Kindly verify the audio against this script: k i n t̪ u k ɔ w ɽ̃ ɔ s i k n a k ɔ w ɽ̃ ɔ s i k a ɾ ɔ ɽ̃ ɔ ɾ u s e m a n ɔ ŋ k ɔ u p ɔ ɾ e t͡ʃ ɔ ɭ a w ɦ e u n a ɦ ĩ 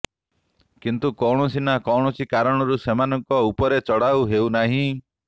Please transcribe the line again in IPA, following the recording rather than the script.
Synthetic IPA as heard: k i n t̪ u k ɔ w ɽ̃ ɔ s i n a k ɔ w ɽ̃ ɔ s i k a ɾ ɔ ɽ̃ ɔ ɾ u s e m a n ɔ ŋ k ɔ u p ɔ ɾ e t͡ʃ ɔ ɽ a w ɦ e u n a ɦ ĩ